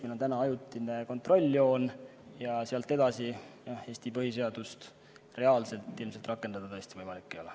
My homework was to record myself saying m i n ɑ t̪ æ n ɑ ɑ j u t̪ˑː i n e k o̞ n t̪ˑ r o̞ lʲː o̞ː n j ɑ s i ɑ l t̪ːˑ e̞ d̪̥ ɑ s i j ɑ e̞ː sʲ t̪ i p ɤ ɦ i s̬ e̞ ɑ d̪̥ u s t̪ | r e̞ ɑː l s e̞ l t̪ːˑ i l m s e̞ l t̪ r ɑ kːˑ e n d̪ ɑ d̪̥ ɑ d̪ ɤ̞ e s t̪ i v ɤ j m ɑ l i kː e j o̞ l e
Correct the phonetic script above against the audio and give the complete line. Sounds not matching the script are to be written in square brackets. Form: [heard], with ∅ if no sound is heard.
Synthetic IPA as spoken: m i n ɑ t̪ æ n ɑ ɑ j u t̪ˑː i n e k o̞ n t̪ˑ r o̞ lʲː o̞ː n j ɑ s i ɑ l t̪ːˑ e̞ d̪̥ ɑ s i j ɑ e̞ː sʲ t̪ i p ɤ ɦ i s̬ e̞ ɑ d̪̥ u s t̪ | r e̞ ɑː l s e̞ l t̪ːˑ i l m s e̞ l t̪ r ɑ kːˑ e n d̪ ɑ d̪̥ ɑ [t̪] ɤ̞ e s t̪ i v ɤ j m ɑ l i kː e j o̞ l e

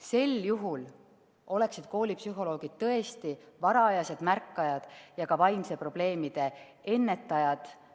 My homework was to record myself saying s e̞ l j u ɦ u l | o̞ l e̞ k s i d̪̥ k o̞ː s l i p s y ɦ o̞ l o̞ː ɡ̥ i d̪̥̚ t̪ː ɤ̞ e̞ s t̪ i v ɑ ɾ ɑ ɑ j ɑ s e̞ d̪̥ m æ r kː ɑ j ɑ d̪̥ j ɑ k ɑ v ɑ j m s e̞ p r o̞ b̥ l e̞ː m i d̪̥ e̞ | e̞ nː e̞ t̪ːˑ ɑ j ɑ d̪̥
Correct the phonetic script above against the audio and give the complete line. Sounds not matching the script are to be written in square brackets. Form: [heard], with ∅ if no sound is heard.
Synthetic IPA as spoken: s e̞ l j u ɦ u l | o̞ l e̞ k s i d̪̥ k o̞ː [∅] l i p s y ɦ o̞ l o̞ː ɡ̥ i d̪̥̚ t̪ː ɤ̞ e̞ s t̪ i v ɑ ɾ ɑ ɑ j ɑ s e̞ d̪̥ m æ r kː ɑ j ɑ d̪̥ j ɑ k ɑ v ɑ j m s e̞ p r o̞ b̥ l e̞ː m i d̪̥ e̞ | e̞ nː e̞ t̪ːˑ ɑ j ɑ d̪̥

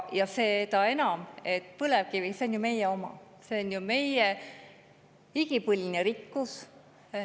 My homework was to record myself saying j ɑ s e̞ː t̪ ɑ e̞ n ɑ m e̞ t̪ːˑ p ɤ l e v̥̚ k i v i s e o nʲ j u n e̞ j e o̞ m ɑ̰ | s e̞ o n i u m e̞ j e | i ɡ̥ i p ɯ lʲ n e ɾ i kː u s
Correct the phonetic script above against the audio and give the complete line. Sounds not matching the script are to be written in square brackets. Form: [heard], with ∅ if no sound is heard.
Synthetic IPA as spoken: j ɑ s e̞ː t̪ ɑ e̞ n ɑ m e̞ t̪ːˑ p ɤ l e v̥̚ k i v i s e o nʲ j u [m] e̞ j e o̞ m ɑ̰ | s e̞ o n [j] u m e̞ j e | i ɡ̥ i p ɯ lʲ n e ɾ i kː u s

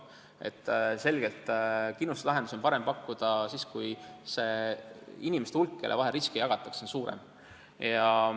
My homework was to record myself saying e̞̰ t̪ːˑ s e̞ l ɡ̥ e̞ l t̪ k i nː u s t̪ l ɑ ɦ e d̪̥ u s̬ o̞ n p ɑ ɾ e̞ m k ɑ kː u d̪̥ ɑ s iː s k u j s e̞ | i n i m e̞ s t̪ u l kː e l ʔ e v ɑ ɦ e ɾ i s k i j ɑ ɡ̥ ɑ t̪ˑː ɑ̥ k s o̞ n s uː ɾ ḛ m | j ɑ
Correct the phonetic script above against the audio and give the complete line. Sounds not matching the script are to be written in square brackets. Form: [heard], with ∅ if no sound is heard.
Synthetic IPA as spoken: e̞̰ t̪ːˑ s e̞ l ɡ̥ e̞ l t̪ k i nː u s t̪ l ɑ ɦ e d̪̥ u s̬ o̞ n p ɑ ɾ e̞ m [p] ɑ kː u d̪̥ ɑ s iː s k u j s e̞ | i n i m e̞ s t̪ u l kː e l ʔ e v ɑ ɦ e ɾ i s k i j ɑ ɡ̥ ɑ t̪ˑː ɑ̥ k s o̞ n s uː ɾ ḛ m | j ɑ

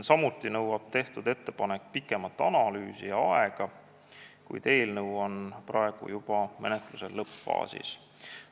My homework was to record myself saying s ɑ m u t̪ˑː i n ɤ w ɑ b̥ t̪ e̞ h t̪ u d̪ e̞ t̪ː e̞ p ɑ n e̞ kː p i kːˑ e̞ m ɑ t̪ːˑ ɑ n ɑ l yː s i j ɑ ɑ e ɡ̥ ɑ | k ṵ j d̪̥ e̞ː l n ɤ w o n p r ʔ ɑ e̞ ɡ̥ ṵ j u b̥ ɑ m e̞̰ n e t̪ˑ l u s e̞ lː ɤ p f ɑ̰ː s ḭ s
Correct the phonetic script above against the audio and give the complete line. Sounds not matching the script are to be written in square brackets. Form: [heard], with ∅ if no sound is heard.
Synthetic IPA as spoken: s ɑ m u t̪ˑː i n ɤ w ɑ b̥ t̪ e̞ h t̪ u d̪ e̞ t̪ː e̞ p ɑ n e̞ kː p i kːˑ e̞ m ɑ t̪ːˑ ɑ n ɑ l yː s i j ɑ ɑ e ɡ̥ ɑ | k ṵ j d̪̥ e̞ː l n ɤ w o n p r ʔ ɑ e̞ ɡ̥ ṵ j u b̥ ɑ m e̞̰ n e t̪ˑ l u s e̞ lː ɤ p f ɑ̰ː s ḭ s

